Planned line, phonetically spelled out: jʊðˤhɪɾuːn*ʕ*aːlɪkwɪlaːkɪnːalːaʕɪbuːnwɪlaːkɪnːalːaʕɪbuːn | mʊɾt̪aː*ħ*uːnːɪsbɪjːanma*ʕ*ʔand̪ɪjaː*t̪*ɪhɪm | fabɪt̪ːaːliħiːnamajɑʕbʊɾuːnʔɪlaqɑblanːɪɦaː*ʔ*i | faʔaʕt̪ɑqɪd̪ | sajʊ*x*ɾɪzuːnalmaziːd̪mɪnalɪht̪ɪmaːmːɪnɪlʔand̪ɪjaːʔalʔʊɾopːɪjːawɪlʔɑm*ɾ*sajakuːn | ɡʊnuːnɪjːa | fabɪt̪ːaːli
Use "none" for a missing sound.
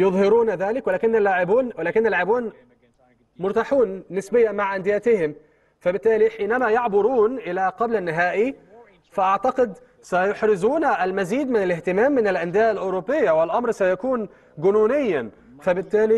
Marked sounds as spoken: ð, ħ, ʕ, t̪, ʔ, ħ, ɾ

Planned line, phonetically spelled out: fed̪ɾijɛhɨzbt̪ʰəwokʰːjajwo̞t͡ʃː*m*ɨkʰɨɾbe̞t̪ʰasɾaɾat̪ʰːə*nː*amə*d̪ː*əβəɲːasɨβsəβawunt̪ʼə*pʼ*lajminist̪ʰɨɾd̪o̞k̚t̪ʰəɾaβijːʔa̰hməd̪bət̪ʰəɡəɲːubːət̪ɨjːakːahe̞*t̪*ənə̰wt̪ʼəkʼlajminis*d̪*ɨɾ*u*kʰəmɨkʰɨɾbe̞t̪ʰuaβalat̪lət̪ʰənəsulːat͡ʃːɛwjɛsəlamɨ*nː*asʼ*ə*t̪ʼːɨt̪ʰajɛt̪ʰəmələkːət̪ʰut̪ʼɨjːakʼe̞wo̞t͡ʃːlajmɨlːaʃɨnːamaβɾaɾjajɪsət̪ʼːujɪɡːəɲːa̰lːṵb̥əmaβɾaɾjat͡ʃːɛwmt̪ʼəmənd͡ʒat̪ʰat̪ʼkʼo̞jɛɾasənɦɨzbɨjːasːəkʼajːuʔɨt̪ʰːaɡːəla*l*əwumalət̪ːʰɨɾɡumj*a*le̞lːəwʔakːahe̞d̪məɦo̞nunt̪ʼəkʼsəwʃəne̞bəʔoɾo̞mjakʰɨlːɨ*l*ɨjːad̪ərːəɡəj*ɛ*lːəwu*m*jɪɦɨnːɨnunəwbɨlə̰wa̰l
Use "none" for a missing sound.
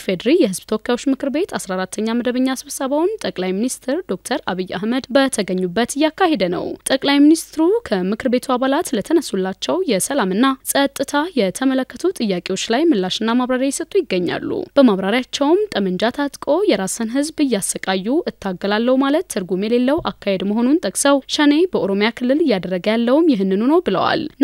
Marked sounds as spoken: m, ɲː, d̪, kʼ, d̪, t̪, u, nː, ə, lː, ɛ, l, a, m

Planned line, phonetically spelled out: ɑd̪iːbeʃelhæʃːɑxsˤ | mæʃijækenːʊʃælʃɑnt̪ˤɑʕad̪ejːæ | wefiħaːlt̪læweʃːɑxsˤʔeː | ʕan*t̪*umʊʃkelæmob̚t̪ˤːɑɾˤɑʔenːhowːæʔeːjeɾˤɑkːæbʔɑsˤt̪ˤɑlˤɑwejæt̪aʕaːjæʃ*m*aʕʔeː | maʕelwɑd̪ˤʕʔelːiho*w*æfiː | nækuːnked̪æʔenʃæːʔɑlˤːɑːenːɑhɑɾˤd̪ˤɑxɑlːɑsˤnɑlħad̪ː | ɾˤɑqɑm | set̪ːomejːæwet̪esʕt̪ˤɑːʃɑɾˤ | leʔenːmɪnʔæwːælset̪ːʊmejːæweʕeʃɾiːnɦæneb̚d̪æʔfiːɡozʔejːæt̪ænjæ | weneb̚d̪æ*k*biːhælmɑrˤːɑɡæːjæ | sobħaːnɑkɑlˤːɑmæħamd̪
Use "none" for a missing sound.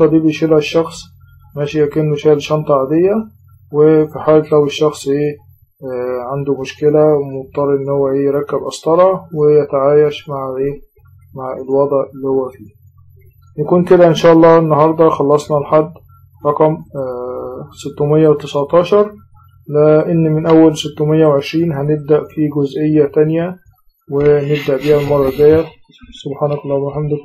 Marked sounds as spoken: d̪, m, wː, ʔ

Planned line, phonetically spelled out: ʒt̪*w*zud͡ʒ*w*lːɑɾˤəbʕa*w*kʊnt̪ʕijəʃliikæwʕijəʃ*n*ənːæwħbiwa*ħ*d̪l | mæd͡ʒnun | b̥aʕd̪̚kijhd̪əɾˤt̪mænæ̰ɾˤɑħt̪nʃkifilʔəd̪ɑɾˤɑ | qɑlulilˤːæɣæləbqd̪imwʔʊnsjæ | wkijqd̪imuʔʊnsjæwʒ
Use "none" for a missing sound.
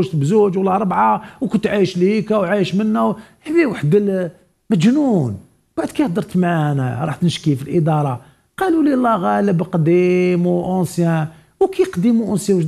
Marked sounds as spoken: b, w, w, m, ħ

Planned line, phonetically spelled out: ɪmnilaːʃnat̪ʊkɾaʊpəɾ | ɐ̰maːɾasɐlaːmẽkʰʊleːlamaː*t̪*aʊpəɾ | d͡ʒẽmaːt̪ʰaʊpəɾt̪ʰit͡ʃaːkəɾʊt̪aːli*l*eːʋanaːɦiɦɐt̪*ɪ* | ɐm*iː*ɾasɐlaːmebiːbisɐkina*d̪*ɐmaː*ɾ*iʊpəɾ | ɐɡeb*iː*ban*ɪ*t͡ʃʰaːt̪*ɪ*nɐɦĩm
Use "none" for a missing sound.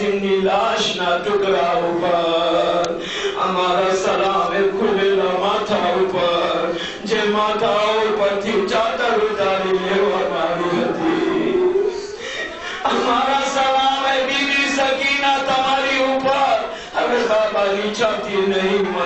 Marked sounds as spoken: t̪ʰ, l, i, aː, t̪, ɾ, aː, i, i

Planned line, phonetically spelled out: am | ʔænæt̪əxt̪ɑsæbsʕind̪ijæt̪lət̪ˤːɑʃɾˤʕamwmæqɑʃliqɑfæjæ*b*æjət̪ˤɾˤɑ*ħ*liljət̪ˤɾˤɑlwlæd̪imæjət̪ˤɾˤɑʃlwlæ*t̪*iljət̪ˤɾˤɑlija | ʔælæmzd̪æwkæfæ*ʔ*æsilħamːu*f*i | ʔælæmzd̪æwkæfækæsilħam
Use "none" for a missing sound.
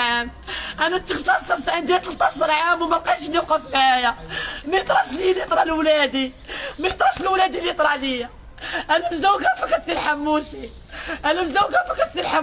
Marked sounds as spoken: m, ʃ, d̪, k, ʃ

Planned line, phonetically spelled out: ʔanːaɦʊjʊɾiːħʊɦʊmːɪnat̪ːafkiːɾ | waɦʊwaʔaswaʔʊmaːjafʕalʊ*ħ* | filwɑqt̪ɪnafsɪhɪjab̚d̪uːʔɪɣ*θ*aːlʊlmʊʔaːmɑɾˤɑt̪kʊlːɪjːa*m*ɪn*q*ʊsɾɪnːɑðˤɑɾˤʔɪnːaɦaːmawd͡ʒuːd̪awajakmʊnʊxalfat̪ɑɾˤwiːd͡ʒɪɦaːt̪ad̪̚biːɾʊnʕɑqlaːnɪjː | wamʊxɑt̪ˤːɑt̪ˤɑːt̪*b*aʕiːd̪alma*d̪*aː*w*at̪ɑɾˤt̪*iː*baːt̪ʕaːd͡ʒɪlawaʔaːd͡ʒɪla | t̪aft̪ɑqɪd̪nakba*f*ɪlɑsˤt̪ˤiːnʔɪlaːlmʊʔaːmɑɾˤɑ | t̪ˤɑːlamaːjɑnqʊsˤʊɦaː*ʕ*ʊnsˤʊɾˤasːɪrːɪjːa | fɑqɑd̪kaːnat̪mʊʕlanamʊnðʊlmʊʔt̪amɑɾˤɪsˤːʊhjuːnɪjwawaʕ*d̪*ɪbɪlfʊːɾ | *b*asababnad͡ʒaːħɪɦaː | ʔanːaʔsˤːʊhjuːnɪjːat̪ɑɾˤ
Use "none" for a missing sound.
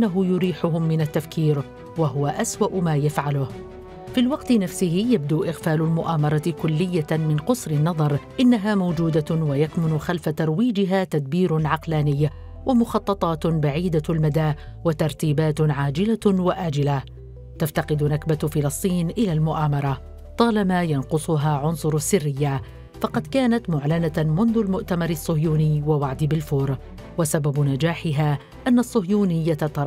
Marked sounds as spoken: h, f, m, q, b, d̪, w, iː, f, ʕ, d̪, w

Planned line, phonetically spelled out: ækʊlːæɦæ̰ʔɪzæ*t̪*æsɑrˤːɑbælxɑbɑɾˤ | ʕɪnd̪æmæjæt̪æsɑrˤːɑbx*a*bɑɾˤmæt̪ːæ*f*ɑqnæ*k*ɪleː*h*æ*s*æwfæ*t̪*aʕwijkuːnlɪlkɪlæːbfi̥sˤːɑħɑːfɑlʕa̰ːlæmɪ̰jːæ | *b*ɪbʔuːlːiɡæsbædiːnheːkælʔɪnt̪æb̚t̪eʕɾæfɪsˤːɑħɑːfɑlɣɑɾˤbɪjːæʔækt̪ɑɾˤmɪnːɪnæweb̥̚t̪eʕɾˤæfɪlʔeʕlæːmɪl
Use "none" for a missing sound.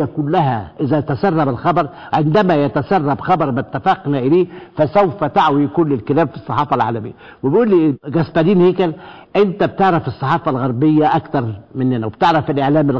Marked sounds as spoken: t̪, ɑ, f, ʔ, f, s, t̪, w

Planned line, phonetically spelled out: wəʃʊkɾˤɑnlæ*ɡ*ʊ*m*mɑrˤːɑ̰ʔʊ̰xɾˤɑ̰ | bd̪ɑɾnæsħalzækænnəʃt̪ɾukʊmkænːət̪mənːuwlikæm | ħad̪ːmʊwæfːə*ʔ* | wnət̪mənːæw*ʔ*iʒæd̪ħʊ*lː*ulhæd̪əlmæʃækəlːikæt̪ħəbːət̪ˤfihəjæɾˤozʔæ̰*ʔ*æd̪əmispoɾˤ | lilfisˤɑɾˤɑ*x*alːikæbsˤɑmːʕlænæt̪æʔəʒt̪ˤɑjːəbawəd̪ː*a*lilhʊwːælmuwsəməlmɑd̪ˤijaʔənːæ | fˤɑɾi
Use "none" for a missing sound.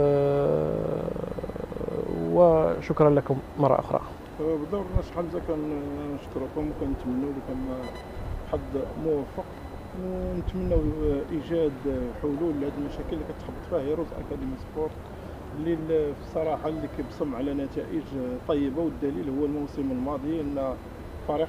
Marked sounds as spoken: k, m, q, ʔ, l, k, ħ, æ

